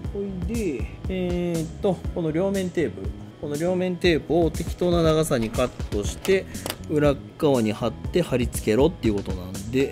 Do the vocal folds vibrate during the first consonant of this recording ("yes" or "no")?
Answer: yes